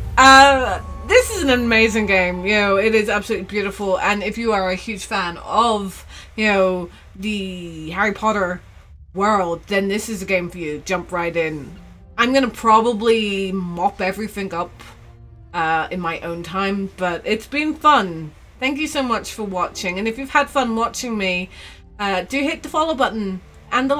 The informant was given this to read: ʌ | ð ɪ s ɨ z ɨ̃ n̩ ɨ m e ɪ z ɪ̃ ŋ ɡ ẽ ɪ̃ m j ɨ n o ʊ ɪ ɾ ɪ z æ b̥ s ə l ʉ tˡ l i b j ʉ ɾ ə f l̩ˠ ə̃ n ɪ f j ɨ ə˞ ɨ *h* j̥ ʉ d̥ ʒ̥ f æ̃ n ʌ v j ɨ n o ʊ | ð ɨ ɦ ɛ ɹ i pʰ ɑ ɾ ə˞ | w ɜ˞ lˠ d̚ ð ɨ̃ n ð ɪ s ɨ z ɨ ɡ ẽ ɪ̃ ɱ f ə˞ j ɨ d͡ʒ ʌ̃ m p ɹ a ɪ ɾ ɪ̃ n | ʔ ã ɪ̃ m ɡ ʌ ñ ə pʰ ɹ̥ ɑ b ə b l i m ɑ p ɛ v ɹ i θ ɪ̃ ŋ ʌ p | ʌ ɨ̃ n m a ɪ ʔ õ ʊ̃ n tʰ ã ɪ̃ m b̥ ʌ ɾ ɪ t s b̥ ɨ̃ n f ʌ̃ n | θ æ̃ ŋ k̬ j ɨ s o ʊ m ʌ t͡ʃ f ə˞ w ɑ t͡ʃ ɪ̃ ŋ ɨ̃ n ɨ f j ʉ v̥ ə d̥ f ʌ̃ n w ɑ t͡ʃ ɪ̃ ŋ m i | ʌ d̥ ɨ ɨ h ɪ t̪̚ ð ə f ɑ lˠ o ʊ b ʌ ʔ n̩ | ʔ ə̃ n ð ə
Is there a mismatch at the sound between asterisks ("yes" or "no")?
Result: no